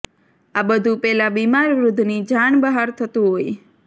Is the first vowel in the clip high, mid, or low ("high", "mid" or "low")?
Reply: low